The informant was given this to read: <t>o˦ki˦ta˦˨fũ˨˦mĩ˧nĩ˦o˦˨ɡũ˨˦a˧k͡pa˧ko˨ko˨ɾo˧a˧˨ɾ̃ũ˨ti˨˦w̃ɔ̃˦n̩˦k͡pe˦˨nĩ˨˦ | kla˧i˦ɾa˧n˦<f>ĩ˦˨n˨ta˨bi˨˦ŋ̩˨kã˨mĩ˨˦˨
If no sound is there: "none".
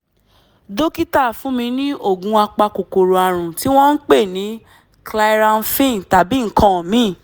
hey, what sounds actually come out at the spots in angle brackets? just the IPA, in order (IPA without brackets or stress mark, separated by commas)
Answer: d, f